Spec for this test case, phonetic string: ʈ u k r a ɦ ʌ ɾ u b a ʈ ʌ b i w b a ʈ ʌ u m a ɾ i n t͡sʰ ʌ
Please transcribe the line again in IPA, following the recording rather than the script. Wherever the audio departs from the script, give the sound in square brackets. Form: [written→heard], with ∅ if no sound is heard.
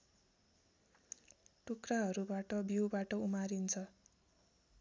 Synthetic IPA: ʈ u k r a ɦ ʌ ɾ u b a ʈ ʌ b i w b a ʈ ʌ u m a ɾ i n t͡sʰ ʌ